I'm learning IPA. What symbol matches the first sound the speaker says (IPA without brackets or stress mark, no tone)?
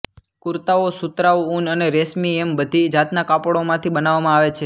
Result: k